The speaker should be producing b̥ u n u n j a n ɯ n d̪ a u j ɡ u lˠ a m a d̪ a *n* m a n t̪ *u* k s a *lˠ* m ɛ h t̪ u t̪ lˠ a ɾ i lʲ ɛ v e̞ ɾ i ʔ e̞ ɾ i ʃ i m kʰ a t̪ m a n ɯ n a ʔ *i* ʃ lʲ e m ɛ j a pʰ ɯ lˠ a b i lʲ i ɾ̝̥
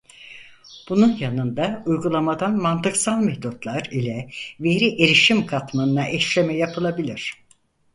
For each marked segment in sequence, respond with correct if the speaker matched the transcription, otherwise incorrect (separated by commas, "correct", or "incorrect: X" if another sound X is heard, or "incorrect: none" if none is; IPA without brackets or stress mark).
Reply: correct, incorrect: ɯ, correct, incorrect: ɛ